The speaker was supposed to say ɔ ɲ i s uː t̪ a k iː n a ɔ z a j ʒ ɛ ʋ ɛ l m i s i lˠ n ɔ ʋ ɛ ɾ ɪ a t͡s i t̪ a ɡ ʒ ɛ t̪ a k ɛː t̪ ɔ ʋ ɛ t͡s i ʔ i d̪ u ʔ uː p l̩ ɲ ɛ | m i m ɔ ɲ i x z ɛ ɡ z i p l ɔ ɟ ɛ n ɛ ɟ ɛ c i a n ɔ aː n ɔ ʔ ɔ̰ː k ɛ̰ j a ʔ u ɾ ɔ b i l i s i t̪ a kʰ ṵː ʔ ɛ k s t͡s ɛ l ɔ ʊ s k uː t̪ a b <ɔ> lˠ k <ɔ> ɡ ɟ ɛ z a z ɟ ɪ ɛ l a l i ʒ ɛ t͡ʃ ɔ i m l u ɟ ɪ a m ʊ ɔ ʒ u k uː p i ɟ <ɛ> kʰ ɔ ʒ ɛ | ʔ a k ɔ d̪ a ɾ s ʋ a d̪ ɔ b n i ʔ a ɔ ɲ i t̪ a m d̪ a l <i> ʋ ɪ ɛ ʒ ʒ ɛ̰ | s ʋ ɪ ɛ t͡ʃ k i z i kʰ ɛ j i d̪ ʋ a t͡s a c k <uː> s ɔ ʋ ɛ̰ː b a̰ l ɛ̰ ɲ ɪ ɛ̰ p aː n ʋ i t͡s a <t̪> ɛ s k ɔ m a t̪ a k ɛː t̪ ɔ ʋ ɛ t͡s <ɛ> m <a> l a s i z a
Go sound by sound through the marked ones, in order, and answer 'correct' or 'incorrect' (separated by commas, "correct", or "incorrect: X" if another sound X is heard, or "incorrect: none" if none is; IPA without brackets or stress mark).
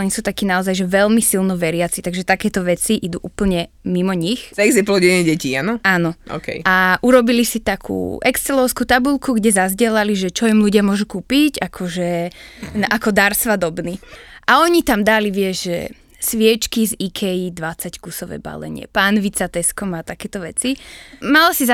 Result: incorrect: u, incorrect: u, incorrect: a, correct, incorrect: u, correct, incorrect: i, correct